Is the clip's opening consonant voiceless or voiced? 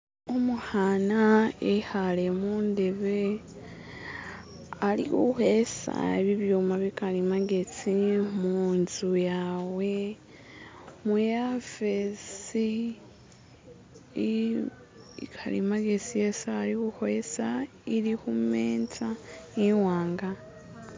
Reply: voiced